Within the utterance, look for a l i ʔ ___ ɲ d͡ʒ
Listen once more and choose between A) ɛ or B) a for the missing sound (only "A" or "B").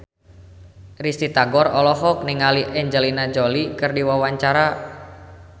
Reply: A